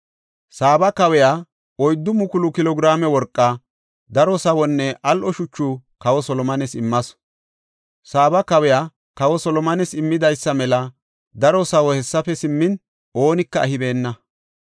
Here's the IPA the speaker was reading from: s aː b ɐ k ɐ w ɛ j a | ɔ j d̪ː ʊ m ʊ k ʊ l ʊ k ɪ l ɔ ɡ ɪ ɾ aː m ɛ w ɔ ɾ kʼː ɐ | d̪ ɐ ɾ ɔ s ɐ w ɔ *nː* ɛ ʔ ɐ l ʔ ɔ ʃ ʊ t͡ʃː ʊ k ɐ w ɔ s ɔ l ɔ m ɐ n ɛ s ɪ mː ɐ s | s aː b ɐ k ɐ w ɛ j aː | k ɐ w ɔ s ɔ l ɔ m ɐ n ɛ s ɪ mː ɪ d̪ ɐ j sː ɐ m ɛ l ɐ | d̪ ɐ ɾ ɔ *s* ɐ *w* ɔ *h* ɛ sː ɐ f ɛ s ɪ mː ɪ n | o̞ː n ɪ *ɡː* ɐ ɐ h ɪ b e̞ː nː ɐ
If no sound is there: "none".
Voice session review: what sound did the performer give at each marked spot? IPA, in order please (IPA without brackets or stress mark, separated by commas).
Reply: nː, s, w, h, kː